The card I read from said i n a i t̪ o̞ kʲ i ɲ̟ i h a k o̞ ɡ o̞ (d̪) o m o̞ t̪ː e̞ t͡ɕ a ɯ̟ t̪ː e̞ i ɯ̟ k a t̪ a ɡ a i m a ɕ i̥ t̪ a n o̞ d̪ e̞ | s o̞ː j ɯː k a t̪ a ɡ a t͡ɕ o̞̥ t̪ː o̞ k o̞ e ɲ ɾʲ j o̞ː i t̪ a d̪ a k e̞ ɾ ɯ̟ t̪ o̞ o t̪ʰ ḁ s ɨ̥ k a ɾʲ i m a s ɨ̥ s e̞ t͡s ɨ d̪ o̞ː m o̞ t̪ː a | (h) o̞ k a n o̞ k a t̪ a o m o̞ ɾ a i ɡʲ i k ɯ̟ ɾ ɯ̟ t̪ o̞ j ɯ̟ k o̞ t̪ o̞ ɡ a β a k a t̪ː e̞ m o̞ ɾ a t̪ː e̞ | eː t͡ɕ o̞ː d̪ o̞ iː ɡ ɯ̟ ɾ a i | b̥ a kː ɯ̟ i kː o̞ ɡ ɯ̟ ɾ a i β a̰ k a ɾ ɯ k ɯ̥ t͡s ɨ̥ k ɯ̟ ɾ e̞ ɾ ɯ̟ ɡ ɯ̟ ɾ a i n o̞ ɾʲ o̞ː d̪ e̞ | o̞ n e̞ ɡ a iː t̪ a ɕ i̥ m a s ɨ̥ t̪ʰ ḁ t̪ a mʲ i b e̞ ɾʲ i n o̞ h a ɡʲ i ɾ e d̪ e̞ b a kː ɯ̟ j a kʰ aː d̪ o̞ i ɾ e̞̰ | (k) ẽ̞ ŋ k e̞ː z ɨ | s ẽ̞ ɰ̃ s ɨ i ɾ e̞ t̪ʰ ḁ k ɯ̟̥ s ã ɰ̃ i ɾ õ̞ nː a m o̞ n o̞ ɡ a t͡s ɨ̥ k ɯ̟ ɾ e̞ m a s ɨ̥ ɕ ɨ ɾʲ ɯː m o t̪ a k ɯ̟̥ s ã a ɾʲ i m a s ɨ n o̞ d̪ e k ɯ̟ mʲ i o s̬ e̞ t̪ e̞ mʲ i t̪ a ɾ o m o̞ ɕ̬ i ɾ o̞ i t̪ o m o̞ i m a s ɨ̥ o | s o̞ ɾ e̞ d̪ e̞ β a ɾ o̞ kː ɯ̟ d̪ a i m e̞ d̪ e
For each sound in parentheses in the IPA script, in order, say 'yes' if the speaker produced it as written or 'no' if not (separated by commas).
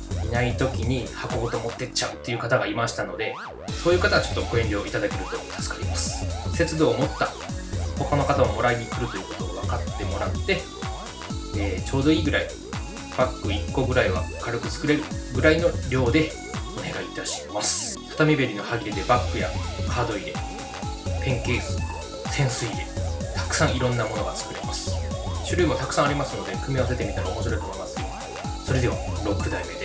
no, yes, no